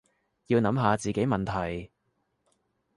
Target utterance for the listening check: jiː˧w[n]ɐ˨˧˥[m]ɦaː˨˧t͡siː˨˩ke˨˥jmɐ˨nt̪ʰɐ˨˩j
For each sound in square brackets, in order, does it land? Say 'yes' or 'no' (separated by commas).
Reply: yes, yes